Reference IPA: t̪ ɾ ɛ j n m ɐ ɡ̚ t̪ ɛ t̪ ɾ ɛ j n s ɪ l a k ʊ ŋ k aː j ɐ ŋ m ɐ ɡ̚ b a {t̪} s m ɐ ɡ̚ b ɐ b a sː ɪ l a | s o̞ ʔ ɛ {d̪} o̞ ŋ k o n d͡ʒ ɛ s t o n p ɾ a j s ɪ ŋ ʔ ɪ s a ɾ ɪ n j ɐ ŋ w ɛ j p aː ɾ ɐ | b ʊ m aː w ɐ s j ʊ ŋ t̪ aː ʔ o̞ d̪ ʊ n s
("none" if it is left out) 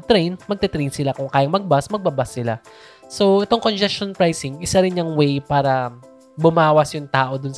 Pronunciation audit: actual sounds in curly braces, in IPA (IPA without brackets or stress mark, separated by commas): none, t̪